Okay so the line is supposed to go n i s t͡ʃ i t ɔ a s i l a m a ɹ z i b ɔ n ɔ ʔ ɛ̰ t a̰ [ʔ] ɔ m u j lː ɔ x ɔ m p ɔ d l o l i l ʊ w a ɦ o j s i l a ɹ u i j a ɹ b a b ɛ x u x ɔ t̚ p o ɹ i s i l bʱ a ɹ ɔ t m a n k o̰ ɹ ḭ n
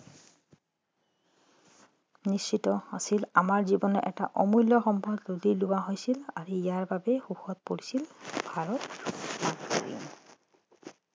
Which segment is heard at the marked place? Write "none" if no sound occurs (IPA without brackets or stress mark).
ʔ